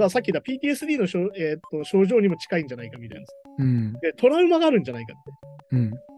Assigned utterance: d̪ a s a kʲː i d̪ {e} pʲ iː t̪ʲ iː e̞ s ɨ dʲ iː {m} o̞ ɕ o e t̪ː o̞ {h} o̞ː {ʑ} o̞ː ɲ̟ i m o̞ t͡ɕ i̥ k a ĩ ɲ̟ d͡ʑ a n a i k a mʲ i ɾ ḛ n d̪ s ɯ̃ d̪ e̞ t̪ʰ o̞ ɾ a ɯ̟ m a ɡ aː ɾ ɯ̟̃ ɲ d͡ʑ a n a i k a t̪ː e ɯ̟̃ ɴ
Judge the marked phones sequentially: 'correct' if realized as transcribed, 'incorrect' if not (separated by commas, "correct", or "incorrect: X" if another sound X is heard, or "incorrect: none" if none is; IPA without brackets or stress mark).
incorrect: a, incorrect: n, incorrect: ɕ, correct